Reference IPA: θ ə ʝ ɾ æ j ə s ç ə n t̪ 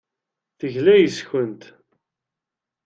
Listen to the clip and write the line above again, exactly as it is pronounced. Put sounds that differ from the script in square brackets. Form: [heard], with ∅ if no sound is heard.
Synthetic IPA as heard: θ ə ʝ [l] æ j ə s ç ə n t̪